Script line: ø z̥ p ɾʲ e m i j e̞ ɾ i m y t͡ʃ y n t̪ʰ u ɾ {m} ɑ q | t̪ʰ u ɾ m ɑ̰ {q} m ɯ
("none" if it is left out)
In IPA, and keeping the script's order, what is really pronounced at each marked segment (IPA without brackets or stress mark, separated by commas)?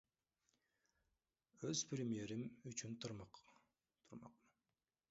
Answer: m, q